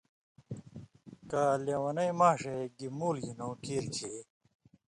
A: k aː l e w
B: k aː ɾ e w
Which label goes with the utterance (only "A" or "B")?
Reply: A